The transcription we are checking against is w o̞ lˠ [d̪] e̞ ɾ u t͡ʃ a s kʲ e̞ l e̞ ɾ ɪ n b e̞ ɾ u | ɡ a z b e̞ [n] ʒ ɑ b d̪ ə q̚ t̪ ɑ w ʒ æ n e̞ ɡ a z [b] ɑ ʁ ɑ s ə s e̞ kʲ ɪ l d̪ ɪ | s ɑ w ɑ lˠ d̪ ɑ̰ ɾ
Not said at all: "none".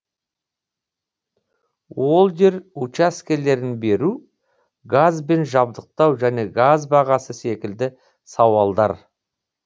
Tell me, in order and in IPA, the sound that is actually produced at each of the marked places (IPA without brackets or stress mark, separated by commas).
d̪, n, b